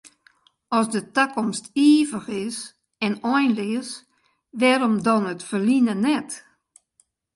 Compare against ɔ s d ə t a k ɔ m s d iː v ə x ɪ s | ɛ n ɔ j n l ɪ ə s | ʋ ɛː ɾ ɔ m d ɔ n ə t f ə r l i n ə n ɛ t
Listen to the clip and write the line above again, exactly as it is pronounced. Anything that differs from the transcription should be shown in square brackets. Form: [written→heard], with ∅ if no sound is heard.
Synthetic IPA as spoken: ɔ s d ə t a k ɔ m s [d→t] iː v ə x ɪ s | ɛ n ɔ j n l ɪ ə s | ʋ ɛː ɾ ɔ m d ɔ n ə t f ə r l i n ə n ɛ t